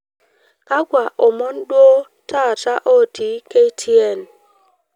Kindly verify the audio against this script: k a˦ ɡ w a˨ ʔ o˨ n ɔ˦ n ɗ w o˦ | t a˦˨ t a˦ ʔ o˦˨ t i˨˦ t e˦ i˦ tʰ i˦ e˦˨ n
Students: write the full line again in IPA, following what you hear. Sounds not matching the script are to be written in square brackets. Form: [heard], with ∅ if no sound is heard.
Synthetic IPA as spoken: k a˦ ɡ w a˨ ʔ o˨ [m] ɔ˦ n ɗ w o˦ | t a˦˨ t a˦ ʔ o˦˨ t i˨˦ [k] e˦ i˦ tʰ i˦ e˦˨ n